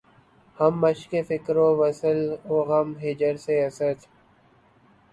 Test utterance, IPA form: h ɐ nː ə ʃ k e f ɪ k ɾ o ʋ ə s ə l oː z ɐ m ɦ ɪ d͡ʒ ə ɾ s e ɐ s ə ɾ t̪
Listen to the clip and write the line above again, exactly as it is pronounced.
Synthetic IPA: h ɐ mː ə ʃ k e f ɪ k ɾ o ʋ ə s ə l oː ɣ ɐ m ɦ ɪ d͡ʒ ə ɾ s e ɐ s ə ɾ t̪